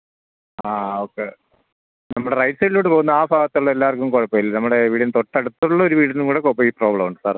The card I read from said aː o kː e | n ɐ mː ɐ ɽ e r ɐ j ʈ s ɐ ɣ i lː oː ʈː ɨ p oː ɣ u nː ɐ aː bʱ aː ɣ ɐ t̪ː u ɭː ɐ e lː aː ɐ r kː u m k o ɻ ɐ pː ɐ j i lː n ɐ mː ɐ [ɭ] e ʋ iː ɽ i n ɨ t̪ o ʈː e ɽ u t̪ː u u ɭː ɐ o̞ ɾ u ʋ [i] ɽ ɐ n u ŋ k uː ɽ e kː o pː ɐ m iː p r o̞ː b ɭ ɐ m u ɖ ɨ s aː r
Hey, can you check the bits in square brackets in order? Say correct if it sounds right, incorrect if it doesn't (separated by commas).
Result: incorrect, incorrect